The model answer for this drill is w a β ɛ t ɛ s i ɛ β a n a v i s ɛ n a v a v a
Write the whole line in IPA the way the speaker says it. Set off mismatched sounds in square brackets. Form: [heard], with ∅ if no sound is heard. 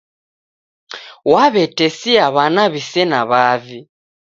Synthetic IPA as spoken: w a β ɛ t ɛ s i [a] β a n a [β] i s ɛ n a [β] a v [i]